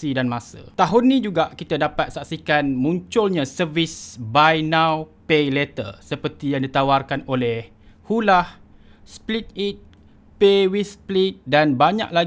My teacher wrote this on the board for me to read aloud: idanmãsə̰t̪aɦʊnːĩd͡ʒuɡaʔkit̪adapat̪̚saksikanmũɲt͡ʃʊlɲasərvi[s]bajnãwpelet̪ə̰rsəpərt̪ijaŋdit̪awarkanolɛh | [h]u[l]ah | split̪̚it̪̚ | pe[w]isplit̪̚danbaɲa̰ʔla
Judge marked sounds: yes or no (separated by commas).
yes, yes, yes, yes